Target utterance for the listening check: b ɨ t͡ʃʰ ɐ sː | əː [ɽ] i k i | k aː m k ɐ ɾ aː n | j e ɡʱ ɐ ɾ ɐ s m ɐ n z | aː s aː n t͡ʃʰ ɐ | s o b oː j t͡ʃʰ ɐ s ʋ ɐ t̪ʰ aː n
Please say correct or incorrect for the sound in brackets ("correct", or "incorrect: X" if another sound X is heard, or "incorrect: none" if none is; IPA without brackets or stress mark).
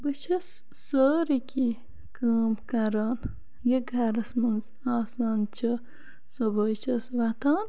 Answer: incorrect: ɾ